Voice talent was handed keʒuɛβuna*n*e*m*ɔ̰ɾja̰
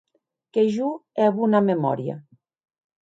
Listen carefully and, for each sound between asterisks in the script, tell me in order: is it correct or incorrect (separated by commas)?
incorrect, correct